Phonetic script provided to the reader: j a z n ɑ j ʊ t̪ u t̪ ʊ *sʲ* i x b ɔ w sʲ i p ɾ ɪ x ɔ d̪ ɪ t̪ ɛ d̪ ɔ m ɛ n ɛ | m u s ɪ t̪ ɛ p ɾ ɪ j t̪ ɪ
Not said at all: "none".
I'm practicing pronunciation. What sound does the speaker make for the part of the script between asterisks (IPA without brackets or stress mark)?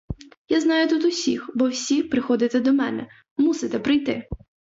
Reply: sʲ